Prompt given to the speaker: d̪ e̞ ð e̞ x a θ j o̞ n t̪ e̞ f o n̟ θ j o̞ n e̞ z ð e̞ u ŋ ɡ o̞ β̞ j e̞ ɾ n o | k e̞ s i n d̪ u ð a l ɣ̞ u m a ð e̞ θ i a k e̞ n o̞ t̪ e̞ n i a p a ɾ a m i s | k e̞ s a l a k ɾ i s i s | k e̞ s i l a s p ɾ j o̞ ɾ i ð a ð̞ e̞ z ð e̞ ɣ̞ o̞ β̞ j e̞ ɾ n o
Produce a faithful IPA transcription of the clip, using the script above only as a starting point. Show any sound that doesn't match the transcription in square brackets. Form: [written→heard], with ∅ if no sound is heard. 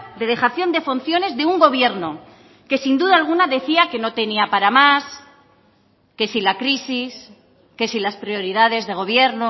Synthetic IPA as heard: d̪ e̞ ð e̞ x a θ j o̞ n [t̪→d̪] e̞ f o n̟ θ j o̞ n e̞ z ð e̞ u ŋ ɡ o̞ β̞ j e̞ ɾ n o | k e̞ s i n d̪ u ð a l ɣ̞ u [m→n] a ð e̞ θ i a k e̞ n o̞ t̪ e̞ n i a p a ɾ a m [i→a] s | k e̞ s [a→i] l a k ɾ i s i s | k e̞ s i l a s p ɾ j o̞ ɾ i ð a ð̞ e̞ z ð e̞ ɣ̞ o̞ β̞ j e̞ ɾ n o